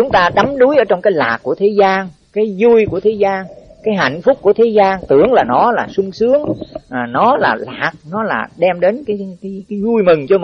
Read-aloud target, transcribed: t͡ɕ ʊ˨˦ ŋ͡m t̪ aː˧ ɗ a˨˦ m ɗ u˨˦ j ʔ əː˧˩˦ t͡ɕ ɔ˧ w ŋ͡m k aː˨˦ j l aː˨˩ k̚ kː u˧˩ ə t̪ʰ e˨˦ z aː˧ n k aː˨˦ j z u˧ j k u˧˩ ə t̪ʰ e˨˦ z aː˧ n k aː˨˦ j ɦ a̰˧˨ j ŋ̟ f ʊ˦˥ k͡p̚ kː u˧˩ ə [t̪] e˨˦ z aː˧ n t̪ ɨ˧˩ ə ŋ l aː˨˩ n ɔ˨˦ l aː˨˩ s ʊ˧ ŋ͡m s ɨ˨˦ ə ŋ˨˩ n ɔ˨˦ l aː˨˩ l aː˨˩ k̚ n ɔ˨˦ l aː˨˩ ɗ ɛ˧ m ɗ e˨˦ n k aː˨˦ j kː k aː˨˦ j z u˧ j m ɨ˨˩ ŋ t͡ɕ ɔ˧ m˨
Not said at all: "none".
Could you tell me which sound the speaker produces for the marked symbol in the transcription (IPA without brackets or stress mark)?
t̪ʰ